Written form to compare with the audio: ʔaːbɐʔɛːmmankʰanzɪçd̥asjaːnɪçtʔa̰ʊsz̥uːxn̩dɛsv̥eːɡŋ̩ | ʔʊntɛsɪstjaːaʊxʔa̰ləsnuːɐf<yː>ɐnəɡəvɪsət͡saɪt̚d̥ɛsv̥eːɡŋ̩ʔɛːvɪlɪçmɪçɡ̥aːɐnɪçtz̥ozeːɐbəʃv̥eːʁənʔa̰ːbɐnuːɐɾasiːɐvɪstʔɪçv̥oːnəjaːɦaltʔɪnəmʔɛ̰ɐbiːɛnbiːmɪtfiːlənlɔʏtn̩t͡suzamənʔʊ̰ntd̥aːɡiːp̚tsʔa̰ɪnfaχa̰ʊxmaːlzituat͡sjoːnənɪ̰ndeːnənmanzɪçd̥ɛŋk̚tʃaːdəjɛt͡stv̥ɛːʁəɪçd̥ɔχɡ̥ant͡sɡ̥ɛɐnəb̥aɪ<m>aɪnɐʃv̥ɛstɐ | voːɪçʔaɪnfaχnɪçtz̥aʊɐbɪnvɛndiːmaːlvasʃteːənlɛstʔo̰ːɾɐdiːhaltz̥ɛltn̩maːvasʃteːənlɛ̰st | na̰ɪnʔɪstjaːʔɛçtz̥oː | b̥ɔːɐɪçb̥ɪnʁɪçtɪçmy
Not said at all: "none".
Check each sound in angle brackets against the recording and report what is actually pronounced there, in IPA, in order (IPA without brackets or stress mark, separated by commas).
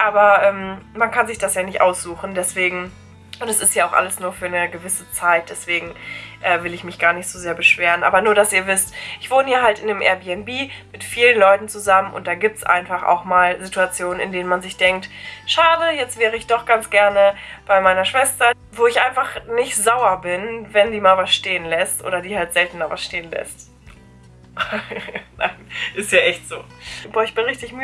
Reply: yː, m